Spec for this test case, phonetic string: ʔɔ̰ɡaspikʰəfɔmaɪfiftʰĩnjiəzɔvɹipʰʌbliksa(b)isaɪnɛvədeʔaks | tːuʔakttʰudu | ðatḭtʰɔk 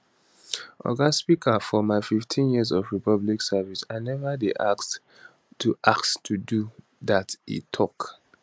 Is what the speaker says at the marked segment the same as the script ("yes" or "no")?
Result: no